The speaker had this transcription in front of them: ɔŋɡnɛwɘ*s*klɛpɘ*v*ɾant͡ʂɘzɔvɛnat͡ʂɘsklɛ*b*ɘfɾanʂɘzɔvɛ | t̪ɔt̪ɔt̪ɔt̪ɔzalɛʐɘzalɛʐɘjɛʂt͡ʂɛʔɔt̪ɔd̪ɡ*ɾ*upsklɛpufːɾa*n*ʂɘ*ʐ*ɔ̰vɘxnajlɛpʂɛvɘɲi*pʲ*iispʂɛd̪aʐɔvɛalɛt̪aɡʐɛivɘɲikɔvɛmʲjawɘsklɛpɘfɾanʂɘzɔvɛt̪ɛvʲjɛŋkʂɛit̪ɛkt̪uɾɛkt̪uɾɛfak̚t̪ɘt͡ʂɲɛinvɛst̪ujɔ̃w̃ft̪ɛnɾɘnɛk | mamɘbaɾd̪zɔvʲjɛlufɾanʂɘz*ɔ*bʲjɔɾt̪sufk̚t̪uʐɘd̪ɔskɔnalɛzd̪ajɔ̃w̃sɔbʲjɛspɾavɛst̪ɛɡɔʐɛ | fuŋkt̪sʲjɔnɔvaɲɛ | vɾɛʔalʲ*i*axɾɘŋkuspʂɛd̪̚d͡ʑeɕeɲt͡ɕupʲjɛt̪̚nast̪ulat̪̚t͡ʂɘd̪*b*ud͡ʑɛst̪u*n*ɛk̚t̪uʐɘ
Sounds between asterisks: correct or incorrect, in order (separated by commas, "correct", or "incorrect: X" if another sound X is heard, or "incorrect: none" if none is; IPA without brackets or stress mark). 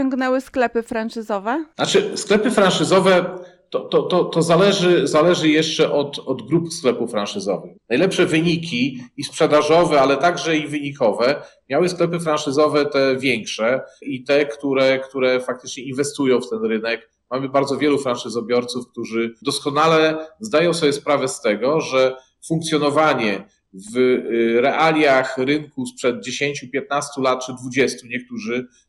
correct, incorrect: f, incorrect: p, correct, correct, incorrect: z, incorrect: kʲ, correct, incorrect: j, incorrect: v, incorrect: ɲ